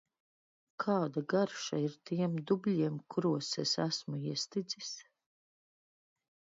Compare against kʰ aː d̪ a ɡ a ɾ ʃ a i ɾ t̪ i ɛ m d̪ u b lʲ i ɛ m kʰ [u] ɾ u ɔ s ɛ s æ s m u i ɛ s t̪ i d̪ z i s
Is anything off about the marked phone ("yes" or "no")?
no